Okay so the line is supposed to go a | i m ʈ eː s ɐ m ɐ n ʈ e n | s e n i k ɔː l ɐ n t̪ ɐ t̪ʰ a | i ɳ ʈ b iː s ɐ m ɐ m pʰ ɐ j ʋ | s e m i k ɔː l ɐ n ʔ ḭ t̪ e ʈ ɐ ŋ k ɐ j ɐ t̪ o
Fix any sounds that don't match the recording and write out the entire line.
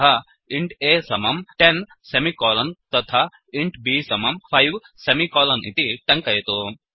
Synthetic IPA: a | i ɳ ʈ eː s ɐ m ɐ m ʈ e n | s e m i k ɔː l ɐ n t̪ ɐ t̪ʰ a | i ɳ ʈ b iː s ɐ m ɐ m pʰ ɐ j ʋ | s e m i k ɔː l ɐ n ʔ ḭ t̪ i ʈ ɐ ŋ k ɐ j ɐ t̪ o